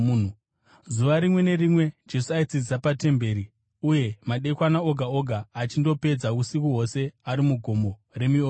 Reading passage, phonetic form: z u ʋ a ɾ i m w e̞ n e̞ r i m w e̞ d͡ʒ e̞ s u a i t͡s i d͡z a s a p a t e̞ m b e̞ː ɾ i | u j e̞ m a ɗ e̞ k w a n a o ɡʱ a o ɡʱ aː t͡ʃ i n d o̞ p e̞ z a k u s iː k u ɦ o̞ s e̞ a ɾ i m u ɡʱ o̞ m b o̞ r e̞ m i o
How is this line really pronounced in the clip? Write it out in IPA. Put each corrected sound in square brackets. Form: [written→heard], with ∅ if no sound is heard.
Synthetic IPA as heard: z u ʋ a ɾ i m w e̞ n e̞ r i m w e̞ d͡ʒ e̞ s u a i t͡s i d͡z [a→i] s a p a t e̞ m b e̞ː ɾ i | u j e̞ m a ɗ e̞ k w a n a o ɡʱ a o ɡʱ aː t͡ʃ i n d o̞ p e̞ [z→d͡z] a k u s [iː→i] k u ɦ o̞ s e̞ a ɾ i m u ɡʱ o̞ m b o̞ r e̞ m i o